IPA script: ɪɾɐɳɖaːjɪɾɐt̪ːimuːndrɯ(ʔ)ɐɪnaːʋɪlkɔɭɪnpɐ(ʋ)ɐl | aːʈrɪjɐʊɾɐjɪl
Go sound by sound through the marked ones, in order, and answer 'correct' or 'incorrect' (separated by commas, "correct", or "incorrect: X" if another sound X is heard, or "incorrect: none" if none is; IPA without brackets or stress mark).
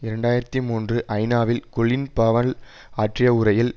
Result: correct, correct